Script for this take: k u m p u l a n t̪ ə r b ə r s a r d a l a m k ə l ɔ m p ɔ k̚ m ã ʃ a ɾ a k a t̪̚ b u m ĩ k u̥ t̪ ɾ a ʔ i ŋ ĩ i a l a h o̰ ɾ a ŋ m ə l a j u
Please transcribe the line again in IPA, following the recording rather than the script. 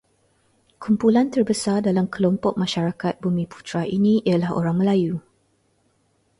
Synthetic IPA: k u m p u l a n t̪ ə r b ə s a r d a l a m k ə l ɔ m p ɔ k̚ m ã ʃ a ɾ a k a t̪̚ b u m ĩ p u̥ t̪ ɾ a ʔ i n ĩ i a l a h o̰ ɾ a ŋ m ə l a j u